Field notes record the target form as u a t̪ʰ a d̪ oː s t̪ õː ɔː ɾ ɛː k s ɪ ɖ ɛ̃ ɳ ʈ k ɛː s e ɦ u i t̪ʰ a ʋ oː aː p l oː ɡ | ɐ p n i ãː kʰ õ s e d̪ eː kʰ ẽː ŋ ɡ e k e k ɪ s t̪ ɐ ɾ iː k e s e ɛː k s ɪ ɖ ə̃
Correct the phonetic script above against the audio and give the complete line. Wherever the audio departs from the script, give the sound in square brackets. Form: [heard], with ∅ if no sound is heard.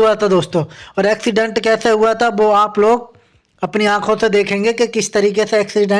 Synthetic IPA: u a t̪ʰ a d̪ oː s t̪ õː ɔː ɾ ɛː k s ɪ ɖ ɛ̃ ɳ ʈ k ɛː s e ɦ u [a] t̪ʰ a ʋ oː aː p l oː ɡ | ɐ p n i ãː kʰ õ s e d̪ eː kʰ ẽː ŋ ɡ e k e k ɪ s t̪ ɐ ɾ iː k e s e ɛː k s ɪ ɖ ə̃

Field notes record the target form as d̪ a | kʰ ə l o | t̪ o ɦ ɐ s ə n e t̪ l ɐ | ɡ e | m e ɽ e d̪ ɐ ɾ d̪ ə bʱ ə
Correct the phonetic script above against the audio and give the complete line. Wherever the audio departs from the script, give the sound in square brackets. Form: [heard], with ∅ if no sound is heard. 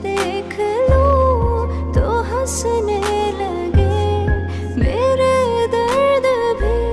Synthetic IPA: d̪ [e] | kʰ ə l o | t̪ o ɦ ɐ s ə n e [∅] l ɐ | ɡ e | m e [ɾ] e d̪ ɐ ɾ d̪ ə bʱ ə

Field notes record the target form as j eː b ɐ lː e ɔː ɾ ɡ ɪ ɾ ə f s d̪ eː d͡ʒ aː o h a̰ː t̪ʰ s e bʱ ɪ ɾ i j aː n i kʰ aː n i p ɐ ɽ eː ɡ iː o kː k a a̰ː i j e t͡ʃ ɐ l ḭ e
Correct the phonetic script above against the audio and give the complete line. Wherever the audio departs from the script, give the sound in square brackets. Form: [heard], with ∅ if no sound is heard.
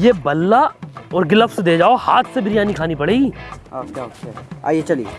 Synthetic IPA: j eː b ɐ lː [a] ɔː ɾ ɡ ɪ [l] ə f s d̪ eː d͡ʒ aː o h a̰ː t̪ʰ s e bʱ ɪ ɾ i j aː n i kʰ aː n i p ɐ ɽ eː ɡ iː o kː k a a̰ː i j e t͡ʃ ɐ l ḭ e

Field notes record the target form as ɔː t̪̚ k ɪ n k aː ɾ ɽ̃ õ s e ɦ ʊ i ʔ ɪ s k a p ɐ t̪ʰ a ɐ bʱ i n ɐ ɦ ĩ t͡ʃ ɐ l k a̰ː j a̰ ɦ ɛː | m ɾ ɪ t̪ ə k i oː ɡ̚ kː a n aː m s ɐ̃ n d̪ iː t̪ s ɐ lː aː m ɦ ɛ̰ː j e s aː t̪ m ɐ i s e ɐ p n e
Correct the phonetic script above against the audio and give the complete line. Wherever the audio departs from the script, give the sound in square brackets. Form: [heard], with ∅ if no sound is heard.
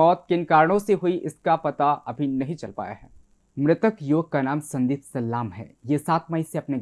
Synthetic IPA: ɔː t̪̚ k ɪ n k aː ɾ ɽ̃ õ s e ɦ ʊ i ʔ ɪ s k a p ɐ [t̪] a ɐ bʱ i n ɐ ɦ ĩ t͡ʃ ɐ l [p] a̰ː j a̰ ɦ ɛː | m ɾ ɪ t̪ ə k [j] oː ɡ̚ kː a n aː m s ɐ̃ n d̪ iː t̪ s ɐ lː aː m ɦ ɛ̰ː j e s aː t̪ m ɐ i s e ɐ p n e

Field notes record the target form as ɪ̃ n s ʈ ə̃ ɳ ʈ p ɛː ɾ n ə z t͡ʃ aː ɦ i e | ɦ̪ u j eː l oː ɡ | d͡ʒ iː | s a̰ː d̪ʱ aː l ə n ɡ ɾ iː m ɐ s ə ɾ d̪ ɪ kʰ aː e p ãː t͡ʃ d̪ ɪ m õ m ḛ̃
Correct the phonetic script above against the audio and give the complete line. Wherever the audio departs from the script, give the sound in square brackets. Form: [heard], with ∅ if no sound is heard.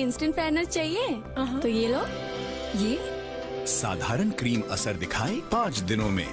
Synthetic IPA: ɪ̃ n s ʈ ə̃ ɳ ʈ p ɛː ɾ n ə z t͡ʃ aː ɦ i e | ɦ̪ [o] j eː l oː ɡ | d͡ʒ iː | s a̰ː d̪ʱ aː [ɾ] ə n [k] ɾ iː m ɐ s ə ɾ d̪ ɪ kʰ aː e p ãː t͡ʃ d̪ ɪ [n] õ m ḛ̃

